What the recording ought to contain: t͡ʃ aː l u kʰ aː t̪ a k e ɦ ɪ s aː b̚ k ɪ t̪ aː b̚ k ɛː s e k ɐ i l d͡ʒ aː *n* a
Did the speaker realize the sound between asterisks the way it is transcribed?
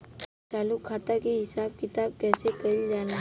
yes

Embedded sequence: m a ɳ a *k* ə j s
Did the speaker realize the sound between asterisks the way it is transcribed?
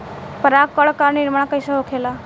yes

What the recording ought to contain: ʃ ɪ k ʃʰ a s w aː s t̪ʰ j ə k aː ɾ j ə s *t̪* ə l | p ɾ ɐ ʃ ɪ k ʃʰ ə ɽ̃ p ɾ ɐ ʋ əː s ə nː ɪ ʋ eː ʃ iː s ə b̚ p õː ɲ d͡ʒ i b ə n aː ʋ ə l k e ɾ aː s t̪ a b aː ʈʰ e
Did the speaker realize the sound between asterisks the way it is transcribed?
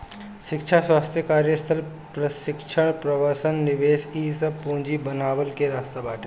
no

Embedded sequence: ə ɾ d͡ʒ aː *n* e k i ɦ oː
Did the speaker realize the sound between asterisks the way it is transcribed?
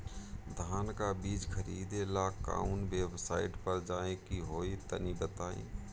no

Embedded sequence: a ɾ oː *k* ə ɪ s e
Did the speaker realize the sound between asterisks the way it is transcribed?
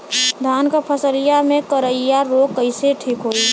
yes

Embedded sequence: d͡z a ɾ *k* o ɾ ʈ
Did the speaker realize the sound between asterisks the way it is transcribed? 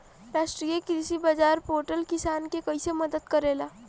no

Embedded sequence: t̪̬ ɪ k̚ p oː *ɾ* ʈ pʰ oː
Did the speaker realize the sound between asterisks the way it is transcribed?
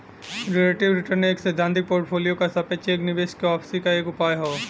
yes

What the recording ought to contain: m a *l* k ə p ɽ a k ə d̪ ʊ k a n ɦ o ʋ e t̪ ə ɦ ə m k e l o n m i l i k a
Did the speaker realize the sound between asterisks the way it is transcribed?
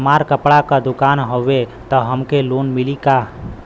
no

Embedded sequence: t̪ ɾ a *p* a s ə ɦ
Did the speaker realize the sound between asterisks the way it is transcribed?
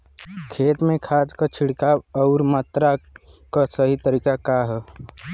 no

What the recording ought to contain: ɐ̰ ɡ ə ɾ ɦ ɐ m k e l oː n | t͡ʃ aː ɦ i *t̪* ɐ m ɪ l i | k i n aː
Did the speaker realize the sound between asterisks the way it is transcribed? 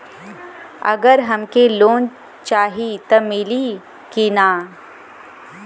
yes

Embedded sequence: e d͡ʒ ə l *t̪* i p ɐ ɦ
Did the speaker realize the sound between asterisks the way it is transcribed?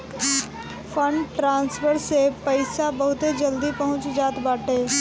no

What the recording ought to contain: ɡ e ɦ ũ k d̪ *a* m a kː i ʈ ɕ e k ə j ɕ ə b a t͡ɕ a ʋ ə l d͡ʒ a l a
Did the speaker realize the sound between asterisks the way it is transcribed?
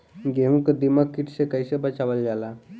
no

